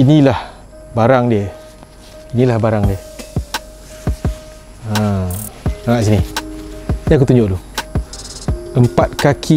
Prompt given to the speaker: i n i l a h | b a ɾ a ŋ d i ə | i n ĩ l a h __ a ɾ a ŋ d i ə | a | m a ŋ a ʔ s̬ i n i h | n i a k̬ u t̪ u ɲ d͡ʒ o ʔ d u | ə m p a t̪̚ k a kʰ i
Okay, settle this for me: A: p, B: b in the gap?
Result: B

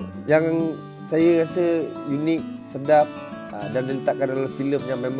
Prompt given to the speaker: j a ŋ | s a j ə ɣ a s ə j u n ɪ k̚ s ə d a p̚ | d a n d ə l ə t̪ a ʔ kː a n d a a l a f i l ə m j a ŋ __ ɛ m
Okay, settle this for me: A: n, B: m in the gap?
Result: B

